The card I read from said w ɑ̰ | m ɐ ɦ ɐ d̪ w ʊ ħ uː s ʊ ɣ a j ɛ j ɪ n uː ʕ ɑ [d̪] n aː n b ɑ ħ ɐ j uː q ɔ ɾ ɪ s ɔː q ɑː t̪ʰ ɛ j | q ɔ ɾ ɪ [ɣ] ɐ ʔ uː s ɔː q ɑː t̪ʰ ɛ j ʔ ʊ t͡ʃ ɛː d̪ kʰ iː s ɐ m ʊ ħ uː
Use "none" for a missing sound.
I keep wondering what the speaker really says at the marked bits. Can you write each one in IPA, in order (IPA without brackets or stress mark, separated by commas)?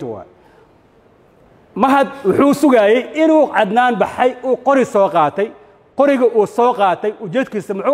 d̪, ɣ